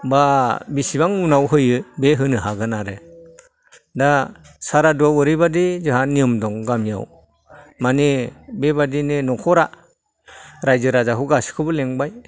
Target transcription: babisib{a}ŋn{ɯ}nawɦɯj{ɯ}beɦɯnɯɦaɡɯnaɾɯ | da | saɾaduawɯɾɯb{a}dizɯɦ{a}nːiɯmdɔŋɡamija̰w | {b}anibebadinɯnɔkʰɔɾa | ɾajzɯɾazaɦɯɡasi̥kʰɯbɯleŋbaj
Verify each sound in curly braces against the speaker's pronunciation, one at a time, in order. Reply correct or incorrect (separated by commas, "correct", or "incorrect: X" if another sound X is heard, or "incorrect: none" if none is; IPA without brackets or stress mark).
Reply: correct, incorrect: u, correct, correct, correct, incorrect: m